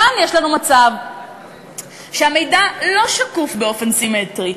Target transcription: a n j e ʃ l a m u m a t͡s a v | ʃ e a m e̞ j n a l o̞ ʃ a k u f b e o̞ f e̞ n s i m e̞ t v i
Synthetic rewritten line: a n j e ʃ l a n u m a t͡s a v | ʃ e a m e̞ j d a l o̞ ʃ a k u f b e o̞ f e̞ n s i m e̞ t ʁ i